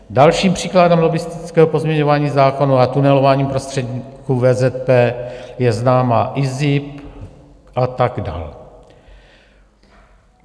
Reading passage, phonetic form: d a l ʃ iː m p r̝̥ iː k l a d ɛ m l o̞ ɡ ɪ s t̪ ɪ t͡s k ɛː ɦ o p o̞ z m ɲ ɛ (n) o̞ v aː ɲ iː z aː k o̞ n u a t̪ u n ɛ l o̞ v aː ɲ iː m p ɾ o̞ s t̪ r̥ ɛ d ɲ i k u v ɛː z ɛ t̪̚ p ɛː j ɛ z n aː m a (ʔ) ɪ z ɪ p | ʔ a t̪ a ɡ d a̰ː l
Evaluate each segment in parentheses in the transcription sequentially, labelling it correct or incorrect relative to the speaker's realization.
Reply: incorrect, correct

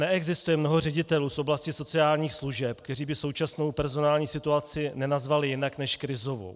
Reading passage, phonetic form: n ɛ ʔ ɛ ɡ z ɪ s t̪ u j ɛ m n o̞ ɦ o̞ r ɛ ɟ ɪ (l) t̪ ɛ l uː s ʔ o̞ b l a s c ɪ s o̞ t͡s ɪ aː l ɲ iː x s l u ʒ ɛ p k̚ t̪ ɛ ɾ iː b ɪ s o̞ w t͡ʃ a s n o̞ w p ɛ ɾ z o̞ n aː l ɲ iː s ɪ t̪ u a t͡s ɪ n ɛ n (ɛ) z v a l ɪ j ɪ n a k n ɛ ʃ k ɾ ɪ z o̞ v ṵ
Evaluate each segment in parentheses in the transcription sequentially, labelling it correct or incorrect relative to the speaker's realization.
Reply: incorrect, incorrect

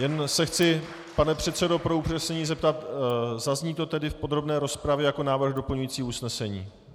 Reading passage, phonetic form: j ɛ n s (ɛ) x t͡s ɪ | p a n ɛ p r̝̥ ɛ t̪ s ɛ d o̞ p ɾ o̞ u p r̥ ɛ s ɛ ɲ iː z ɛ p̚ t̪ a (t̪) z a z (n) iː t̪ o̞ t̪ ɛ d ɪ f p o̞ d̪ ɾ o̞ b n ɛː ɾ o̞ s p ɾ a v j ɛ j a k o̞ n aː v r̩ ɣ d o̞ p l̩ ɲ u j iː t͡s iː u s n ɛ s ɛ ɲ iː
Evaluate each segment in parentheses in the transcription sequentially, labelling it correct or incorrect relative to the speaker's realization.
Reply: correct, correct, incorrect

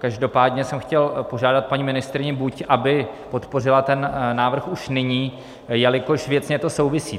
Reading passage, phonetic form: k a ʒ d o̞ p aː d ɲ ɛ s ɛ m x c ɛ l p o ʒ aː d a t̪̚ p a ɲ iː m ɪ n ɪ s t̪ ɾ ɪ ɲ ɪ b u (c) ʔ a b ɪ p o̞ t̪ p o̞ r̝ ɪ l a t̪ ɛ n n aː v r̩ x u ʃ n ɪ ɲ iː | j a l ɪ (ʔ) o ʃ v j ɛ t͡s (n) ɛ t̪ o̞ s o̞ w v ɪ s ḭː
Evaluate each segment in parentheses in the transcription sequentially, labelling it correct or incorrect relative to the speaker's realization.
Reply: correct, incorrect, incorrect

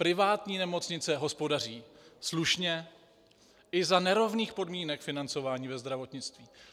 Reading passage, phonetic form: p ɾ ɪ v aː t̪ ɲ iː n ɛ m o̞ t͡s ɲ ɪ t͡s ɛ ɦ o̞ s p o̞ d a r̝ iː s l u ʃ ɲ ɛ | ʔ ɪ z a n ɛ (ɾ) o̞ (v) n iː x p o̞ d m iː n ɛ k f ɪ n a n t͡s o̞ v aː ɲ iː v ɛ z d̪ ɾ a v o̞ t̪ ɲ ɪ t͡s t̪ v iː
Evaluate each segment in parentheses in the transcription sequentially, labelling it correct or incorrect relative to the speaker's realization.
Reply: correct, correct

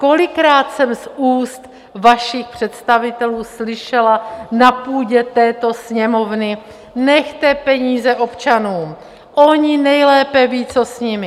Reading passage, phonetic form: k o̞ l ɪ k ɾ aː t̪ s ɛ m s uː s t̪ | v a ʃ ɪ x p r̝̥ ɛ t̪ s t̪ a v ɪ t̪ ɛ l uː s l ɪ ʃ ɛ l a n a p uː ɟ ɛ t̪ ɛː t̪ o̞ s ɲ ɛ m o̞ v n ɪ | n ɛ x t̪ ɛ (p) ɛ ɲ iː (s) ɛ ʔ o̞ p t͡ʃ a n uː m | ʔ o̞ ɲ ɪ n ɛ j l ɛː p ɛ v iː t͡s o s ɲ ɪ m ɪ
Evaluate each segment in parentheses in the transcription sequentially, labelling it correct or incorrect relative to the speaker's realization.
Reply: correct, incorrect

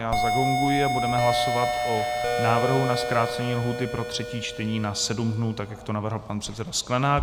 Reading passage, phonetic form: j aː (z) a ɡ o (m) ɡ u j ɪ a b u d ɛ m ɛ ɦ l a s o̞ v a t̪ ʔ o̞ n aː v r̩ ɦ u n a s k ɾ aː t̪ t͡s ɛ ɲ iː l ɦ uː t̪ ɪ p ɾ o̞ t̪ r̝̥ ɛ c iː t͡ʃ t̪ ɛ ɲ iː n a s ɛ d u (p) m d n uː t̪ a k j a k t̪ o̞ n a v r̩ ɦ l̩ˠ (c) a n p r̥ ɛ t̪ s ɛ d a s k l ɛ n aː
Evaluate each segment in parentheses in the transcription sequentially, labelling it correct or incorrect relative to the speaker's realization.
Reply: correct, incorrect, incorrect, incorrect

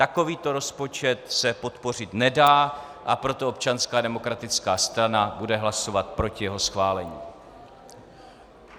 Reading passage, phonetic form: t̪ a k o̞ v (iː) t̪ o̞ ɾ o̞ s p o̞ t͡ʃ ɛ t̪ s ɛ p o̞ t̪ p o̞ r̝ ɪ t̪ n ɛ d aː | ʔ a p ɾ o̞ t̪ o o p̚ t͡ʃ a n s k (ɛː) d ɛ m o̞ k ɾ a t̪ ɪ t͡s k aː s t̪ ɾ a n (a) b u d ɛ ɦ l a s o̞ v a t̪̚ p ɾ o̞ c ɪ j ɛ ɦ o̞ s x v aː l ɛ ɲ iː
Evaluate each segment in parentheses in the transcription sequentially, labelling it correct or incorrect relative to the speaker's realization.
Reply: correct, incorrect, correct

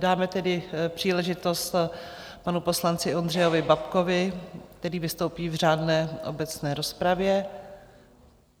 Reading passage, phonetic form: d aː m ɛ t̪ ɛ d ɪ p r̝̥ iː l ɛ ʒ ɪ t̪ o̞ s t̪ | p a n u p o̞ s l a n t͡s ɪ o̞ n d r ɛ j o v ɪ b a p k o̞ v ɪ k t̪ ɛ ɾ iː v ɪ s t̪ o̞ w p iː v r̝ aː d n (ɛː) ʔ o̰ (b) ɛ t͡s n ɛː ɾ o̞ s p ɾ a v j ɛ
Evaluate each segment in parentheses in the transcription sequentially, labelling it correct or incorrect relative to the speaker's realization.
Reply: correct, correct

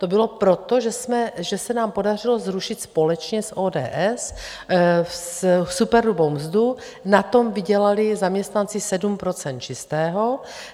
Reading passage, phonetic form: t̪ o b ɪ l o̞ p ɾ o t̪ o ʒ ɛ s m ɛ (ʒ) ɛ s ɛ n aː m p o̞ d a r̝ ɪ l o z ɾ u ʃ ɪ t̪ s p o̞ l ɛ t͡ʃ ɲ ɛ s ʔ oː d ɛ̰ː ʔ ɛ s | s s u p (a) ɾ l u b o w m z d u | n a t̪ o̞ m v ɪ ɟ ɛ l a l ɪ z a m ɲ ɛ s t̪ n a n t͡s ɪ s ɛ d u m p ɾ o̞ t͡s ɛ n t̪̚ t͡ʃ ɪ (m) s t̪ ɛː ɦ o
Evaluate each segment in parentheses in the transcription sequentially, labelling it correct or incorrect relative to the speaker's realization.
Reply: correct, incorrect, incorrect

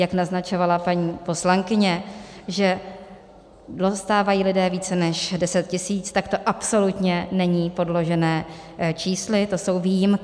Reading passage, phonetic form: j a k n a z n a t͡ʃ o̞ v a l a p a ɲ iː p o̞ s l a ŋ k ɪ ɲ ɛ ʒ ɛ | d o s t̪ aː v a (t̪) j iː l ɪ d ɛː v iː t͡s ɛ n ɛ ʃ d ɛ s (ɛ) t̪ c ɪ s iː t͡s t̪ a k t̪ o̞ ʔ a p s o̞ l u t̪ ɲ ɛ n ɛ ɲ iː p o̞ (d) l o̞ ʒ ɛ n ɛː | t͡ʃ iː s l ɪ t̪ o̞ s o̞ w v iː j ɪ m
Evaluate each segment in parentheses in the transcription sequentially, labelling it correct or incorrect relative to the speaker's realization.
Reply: incorrect, correct, correct

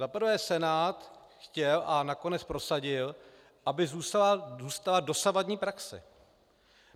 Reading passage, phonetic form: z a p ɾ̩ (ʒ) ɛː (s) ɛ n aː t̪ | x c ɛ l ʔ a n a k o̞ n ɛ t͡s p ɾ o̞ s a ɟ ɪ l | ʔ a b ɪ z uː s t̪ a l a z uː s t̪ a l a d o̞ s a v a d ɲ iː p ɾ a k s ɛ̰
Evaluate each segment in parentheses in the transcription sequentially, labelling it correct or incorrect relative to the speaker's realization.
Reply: incorrect, correct

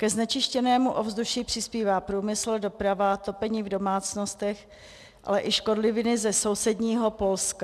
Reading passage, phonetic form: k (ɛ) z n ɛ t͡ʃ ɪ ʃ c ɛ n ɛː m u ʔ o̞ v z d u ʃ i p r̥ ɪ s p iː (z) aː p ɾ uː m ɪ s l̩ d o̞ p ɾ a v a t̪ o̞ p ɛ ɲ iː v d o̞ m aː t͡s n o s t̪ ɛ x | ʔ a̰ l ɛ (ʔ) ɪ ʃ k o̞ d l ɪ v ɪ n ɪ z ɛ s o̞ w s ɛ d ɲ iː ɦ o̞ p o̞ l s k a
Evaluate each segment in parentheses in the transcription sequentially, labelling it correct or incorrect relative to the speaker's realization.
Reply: correct, incorrect, correct

